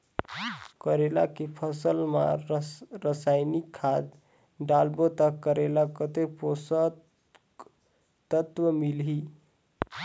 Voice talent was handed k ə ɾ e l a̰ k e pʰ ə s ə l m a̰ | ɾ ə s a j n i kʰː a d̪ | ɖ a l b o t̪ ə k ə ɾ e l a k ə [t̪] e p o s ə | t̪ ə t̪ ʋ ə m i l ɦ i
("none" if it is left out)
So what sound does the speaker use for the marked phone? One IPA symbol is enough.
t̪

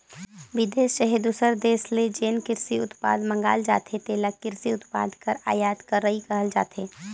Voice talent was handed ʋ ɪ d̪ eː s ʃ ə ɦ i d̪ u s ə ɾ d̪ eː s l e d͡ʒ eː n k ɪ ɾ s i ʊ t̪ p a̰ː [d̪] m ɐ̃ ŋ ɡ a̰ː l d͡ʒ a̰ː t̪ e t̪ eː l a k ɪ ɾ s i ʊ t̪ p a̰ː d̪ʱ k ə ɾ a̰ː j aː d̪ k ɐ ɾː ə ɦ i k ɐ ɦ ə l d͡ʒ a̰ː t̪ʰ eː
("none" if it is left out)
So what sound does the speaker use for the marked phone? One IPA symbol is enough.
d̪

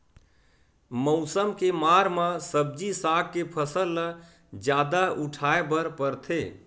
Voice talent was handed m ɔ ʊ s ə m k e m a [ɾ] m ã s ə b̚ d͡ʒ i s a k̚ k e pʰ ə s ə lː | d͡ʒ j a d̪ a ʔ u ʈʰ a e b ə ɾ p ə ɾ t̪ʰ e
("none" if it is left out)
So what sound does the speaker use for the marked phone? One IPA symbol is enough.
ɾ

